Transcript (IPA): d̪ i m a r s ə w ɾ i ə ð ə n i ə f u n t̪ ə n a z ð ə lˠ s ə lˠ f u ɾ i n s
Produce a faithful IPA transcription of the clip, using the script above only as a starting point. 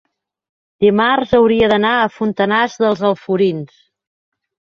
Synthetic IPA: d̪ i m a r z ə w ɾ i ə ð ə n a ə f u n t̪ ə n a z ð ə lˠ z ə lˠ f u ɾ i n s